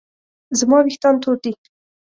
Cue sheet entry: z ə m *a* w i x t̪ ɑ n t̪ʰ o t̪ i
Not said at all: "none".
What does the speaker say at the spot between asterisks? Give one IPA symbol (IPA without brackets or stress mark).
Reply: ɑ